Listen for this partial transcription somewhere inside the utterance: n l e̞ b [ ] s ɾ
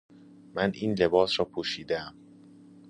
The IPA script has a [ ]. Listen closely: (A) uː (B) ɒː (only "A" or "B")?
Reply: B